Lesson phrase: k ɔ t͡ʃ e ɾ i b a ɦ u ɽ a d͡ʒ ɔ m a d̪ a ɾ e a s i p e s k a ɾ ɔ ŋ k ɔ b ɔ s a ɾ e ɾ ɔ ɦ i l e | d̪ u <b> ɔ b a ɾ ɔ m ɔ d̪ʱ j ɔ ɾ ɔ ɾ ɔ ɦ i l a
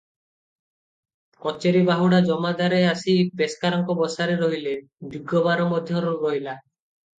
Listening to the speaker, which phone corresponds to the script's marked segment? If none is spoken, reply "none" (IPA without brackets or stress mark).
ɡ